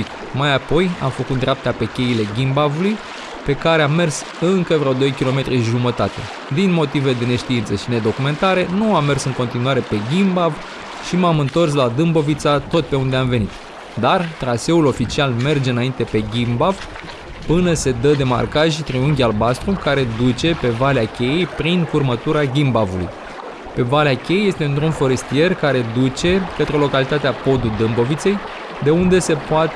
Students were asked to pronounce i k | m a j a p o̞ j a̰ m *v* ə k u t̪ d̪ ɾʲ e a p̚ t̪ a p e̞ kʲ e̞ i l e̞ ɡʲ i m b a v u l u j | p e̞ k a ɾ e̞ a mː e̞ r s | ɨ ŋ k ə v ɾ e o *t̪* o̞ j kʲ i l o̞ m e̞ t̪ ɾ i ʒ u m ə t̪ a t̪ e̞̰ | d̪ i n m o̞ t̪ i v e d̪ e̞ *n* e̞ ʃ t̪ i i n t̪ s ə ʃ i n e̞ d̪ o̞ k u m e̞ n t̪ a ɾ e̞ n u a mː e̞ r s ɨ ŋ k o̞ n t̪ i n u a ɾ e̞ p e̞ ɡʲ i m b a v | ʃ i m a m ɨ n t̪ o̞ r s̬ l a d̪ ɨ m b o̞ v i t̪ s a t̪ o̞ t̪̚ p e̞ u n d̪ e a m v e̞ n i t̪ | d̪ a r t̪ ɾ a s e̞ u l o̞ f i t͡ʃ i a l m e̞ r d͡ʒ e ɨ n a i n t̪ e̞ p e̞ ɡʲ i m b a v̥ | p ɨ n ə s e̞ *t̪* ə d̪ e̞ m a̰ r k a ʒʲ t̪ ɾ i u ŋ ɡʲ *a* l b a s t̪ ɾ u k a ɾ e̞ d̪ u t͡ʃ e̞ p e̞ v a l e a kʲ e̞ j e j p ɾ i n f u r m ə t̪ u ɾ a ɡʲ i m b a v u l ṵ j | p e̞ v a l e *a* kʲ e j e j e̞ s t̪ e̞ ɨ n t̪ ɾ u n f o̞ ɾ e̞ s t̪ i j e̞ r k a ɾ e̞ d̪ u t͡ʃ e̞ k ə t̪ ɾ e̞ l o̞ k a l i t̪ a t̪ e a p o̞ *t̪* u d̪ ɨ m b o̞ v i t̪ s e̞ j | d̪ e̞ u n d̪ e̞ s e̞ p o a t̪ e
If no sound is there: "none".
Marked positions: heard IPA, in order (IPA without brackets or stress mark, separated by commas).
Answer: f, d̪, n, d̪, a, a, d̪